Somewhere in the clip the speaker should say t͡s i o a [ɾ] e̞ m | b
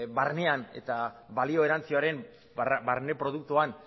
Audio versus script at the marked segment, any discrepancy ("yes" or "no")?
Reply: no